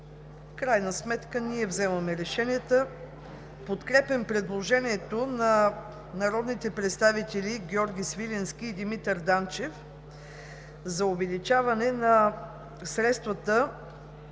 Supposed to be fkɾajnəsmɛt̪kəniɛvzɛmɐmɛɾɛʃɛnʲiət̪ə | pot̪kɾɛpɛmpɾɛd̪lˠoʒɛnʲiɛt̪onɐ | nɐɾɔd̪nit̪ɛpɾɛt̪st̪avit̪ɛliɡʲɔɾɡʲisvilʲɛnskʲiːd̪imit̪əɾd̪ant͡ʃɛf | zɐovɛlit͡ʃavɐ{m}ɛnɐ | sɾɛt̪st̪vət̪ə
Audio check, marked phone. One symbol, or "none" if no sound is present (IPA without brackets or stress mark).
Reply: n